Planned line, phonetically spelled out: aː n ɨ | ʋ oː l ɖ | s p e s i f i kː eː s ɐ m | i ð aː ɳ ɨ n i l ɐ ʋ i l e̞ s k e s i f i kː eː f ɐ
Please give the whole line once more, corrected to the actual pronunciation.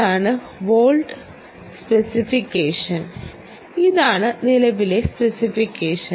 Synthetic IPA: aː ɳ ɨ | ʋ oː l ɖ | s p e s i f i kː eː ʂ ɐ n | i ð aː ɳ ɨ n i l ɐ ʋ i l e̞ s p e s i f i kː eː ʂ ɐ